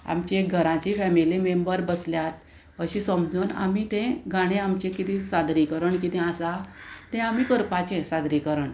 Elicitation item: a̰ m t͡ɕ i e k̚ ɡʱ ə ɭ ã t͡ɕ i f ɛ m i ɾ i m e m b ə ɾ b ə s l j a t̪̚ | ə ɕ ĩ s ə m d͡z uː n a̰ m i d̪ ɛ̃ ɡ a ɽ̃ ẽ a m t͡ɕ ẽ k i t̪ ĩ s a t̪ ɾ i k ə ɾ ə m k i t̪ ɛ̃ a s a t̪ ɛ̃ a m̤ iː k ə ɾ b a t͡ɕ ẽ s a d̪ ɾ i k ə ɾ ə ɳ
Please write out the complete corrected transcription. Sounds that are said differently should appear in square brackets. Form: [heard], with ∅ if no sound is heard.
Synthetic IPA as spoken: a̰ m t͡ɕ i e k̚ ɡʱ ə [ɾ] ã t͡ɕ i f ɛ m i [l] i m e m b ə ɾ b ə s l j a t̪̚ | ə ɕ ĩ s ə m d͡z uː n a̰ m i [t̪] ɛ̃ ɡ a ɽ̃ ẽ a m t͡ɕ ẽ k i t̪ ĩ s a [d̪] ɾ i k ə ɾ ə [ɳ] k i t̪ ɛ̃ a s a t̪ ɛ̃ a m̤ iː k ə ɾ [p] a t͡ɕ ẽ s a d̪ ɾ i k ə ɾ ə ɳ